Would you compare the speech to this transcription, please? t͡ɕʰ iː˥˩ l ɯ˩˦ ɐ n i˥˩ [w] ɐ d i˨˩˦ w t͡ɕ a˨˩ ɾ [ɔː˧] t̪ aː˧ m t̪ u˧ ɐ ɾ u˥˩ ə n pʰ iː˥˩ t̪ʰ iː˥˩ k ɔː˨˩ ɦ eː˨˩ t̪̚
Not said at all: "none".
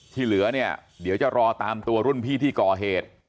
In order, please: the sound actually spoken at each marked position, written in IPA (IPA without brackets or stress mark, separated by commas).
none, ɔː˧